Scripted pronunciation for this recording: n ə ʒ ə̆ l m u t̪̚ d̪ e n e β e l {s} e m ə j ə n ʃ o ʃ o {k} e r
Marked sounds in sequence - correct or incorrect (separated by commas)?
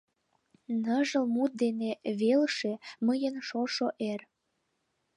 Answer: incorrect, incorrect